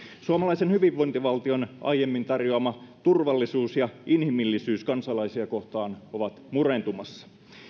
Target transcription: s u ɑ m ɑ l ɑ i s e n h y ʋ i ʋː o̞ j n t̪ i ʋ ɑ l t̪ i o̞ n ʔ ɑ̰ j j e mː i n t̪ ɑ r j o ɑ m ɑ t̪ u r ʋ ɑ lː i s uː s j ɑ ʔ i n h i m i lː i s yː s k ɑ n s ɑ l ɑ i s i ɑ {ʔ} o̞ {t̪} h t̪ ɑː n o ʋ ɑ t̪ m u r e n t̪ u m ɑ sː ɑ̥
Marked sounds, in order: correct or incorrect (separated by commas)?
incorrect, incorrect